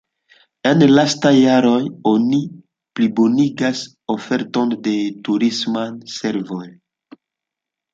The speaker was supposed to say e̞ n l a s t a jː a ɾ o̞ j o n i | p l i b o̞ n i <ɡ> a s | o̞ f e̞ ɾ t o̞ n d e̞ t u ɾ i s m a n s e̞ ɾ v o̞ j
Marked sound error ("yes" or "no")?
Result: no